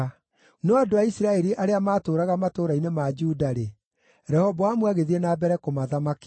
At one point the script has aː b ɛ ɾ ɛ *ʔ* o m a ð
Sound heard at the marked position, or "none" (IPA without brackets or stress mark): k